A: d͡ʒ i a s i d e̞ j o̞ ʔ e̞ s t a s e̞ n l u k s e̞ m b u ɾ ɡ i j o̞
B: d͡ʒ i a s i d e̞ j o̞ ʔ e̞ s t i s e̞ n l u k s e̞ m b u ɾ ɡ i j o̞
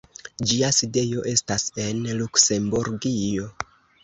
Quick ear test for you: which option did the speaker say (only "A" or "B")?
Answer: A